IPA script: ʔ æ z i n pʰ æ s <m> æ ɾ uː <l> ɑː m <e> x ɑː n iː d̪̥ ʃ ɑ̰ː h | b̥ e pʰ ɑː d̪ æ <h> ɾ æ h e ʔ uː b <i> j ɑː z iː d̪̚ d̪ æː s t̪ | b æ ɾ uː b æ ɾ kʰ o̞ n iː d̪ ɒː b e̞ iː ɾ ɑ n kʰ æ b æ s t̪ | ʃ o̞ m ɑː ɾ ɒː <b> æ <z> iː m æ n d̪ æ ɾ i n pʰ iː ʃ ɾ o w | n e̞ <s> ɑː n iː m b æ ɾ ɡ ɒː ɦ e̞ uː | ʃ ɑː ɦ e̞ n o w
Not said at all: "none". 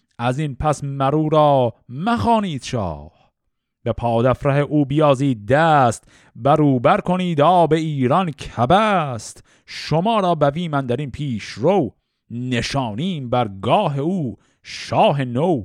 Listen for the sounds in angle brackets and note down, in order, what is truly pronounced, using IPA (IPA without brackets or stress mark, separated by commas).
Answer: m, ɾ, æ, f, i, b, v, ʃ